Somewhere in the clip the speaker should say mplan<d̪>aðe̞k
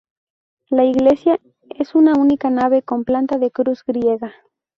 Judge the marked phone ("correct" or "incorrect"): incorrect